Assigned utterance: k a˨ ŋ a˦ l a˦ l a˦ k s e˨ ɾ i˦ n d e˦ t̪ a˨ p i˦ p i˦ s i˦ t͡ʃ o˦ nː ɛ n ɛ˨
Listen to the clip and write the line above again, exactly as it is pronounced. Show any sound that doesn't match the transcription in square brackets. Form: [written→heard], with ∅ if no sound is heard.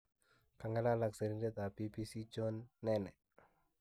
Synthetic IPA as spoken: k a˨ ŋ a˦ l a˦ l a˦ k s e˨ ɾ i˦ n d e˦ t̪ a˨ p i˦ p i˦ s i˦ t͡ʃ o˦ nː ɛ n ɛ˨